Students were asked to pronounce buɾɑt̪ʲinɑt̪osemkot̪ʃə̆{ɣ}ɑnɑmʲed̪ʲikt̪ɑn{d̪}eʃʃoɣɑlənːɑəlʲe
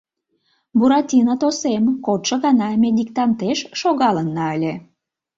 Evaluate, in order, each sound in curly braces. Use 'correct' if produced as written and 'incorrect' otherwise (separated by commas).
correct, incorrect